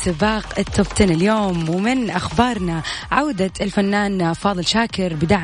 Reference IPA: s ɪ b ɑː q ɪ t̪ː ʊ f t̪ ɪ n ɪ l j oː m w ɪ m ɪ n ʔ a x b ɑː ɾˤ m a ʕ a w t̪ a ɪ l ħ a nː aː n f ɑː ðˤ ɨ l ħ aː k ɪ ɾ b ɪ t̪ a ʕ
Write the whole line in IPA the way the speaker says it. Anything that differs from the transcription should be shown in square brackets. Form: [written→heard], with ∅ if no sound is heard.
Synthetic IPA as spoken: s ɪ b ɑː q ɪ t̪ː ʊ f t̪ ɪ n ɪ l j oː m w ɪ m ɪ n ʔ a x b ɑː ɾˤ [m→n] a ʕ a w [t̪→d̪] a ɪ l [ħ→f] a nː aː n f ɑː ðˤ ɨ l [ħ→ʃ] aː k ɪ ɾ b ɪ [t̪→d̪] a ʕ